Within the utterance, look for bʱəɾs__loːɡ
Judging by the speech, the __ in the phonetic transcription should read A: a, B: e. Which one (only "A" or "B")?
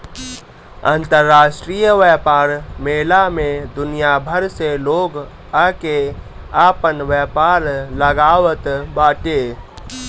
B